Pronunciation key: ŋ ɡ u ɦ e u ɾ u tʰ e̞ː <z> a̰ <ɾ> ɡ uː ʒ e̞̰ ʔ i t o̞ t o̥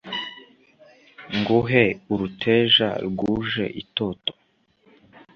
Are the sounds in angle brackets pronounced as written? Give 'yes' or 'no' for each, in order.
no, yes

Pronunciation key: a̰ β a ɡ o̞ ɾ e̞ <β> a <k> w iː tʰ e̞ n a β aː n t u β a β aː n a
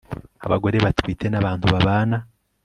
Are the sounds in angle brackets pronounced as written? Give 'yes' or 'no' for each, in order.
yes, no

